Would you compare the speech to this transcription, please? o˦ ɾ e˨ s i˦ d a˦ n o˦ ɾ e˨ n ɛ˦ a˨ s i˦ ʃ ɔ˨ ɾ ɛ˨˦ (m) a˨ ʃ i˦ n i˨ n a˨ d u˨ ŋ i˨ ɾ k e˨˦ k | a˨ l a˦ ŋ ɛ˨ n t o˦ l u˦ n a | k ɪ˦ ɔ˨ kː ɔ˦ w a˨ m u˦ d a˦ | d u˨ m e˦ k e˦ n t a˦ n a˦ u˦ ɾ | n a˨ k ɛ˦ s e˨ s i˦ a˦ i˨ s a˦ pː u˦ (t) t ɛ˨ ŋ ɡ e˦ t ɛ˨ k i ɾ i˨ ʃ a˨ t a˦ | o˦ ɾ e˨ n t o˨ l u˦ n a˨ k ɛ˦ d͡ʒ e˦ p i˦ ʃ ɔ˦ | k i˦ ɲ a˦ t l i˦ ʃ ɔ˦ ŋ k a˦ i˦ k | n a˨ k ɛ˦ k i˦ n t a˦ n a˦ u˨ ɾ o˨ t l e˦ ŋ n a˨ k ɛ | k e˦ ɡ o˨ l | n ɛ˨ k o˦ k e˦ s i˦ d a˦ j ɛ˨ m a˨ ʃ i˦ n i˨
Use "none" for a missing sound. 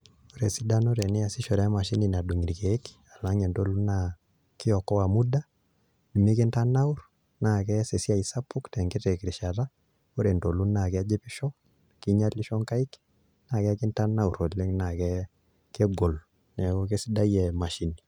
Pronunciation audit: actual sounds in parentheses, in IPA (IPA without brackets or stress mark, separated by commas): m, k